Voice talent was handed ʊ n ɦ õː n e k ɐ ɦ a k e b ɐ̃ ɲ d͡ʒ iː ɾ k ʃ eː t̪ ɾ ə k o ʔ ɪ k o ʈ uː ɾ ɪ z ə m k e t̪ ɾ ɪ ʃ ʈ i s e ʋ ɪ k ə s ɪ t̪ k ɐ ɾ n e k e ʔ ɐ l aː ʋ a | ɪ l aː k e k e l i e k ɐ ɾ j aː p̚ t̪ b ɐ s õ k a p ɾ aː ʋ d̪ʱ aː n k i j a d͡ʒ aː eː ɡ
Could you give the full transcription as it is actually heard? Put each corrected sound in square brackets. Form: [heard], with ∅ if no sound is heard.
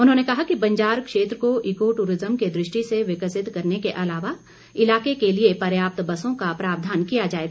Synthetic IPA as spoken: ʊ n ɦ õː n e k ɐ ɦ a k [i] b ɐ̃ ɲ d͡ʒ [aː] ɾ k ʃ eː t̪ ɾ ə k o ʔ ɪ k o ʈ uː ɾ ɪ z ə m k e [d̪] ɾ ɪ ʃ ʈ i s e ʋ ɪ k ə s ɪ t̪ k ɐ ɾ n e k e ʔ ɐ l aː ʋ a | ɪ l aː k e k e l i e [p] ɐ ɾ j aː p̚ t̪ b ɐ s õ k a p ɾ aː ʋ d̪ʱ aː n k i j a d͡ʒ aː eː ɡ